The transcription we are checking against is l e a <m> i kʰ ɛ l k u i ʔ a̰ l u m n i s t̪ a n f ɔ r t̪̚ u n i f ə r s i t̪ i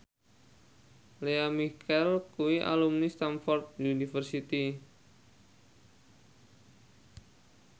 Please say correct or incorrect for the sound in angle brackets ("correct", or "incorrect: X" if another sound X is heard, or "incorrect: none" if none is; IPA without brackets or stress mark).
correct